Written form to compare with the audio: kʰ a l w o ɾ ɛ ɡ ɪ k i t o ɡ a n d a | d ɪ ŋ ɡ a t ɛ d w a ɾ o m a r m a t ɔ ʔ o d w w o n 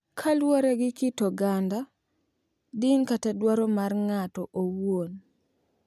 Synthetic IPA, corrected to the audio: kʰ a l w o ɾ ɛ ɡ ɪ k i t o ɡ a n d a | d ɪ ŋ k a t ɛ d w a ɾ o m a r ŋ a t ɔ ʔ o w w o n